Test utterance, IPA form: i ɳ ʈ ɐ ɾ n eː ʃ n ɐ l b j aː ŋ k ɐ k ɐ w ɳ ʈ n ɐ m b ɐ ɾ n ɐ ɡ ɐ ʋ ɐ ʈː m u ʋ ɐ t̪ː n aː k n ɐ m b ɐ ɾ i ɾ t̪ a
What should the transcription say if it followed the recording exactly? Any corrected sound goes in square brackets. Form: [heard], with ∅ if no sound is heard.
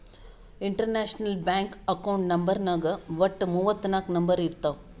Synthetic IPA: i ɳ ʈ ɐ ɾ n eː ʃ n ɐ l b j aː ŋ k ɐ k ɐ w ɳ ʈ n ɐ m b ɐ ɾ n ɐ ɡ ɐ ʋ ɐ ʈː m u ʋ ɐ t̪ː n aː k n ɐ m b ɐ ɾ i ɾ t̪ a